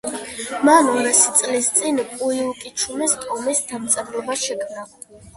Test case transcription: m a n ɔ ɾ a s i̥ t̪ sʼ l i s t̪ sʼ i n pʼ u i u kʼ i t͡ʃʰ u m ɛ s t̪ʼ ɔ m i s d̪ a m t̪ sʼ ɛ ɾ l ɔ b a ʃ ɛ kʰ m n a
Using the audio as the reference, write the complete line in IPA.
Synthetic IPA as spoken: m a n ɔ ɾ a s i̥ t̪ sʼ l i s t̪ sʼ i n pʼ u i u kʼ i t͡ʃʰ u m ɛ s t̪ʼ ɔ m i s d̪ a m t̪ sʼ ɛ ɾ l ɔ b a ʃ ɛ kʰ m n a